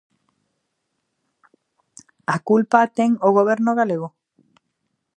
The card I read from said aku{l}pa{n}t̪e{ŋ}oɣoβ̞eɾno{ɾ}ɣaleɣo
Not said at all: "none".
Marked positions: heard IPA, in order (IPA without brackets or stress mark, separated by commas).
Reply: l, none, ŋ, none